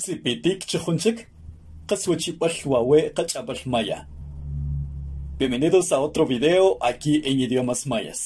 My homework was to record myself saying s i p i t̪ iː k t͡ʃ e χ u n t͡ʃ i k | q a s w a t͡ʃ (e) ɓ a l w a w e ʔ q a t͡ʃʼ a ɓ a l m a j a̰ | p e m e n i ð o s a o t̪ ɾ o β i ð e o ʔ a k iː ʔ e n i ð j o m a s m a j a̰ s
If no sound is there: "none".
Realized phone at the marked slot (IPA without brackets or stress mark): i